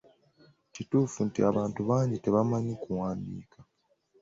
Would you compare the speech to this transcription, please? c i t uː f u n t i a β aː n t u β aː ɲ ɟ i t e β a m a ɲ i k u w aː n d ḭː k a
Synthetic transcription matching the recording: c i t uː f u n t i a β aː n t u β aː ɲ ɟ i t e β a m a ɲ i k u w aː n d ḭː k a